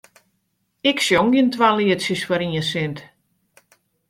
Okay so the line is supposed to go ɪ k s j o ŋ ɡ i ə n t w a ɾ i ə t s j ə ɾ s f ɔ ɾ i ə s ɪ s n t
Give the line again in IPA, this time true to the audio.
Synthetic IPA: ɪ k s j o ŋ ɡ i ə n t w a l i ə t s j ə s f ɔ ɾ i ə s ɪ n t